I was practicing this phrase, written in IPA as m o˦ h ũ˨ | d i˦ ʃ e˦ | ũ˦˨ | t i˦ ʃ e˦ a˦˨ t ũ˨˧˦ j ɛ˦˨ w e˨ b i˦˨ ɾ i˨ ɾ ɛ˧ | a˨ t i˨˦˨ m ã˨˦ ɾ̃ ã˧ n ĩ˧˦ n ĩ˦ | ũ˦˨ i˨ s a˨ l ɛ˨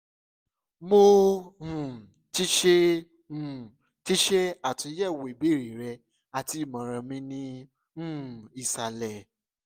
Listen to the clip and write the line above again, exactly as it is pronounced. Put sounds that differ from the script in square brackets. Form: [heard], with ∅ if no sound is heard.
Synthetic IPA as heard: m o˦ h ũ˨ | [t] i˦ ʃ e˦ | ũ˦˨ | t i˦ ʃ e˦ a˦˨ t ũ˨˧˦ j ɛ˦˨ w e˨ b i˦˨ ɾ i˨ ɾ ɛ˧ | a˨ t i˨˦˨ m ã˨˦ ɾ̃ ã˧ [m] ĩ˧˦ n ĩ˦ | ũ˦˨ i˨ s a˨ l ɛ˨

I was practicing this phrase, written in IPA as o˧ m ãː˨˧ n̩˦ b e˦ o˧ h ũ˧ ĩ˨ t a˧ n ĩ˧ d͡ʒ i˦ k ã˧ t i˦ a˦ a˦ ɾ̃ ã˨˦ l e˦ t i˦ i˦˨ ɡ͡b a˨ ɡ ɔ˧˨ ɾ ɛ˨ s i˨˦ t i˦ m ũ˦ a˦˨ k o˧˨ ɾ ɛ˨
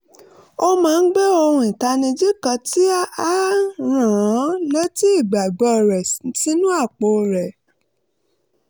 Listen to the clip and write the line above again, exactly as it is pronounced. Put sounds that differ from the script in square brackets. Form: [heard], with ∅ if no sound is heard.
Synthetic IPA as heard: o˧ m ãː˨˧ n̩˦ [ɡ͡b] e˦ o˧ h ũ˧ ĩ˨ t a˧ n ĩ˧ d͡ʒ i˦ k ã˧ t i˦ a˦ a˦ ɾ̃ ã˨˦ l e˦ t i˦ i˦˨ ɡ͡b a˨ [ɡ͡b] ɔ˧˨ ɾ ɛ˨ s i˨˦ t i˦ [n] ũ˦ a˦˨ [k͡p] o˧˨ ɾ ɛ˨

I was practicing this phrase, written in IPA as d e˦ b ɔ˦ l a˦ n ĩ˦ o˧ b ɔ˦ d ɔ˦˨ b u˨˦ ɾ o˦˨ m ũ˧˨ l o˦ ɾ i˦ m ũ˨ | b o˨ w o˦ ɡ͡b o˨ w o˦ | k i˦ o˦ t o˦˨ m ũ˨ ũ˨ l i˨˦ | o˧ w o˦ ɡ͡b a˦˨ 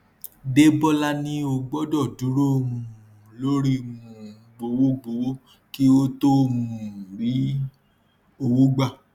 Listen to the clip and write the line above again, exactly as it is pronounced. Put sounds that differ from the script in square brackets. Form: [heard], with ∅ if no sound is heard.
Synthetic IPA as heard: d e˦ b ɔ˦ l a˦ n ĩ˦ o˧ [ɡ͡b] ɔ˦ d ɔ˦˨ [d] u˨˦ ɾ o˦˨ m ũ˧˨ l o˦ ɾ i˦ m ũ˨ | [ɡ͡b] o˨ w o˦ ɡ͡b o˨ w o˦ | k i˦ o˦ t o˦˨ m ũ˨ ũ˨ [ɾ] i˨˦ | o˧ w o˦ ɡ͡b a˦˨

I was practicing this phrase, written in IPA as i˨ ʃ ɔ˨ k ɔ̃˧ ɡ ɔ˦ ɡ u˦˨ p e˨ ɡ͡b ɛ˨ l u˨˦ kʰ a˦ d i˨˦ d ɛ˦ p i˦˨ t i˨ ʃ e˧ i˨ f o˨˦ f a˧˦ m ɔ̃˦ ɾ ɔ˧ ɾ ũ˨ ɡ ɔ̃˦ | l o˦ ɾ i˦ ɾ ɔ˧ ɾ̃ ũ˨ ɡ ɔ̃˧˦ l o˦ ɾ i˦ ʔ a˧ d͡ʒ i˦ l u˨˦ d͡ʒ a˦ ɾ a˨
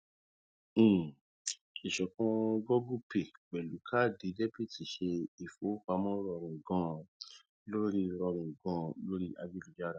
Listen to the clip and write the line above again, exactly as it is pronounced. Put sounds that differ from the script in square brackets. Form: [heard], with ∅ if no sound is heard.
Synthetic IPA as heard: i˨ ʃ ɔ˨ k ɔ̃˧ ɡ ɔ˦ ɡ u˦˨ p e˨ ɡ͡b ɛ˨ l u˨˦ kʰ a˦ d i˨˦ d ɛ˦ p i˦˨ t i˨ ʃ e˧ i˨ f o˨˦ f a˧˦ m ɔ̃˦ ɾ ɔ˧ ɾ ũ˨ ɡ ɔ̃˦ | l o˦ ɾ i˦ ɾ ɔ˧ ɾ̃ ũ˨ ɡ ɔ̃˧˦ l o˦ ɾ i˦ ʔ a˧ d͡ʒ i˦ l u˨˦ d͡ʒ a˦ ɾ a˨

